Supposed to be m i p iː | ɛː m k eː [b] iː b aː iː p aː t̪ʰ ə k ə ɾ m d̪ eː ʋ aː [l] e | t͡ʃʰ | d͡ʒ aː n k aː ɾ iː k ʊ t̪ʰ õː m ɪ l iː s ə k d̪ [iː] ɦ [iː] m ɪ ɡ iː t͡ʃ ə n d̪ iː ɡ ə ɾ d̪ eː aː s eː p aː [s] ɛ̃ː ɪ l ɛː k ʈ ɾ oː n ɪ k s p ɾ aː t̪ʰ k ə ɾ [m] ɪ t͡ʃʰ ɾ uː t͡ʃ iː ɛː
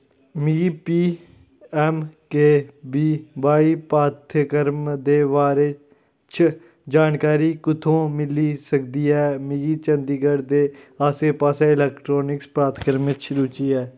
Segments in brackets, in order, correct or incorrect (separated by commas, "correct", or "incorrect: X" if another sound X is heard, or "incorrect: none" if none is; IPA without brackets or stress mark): correct, incorrect: ɾ, correct, incorrect: ɛː, correct, correct